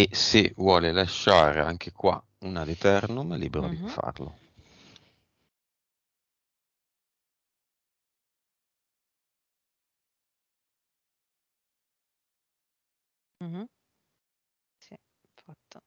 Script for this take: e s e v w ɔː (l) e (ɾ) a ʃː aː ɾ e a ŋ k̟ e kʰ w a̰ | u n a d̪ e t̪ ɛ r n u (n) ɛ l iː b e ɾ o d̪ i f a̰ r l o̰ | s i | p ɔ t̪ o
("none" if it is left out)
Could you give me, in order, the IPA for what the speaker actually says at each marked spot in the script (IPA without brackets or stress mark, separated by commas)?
l, l, m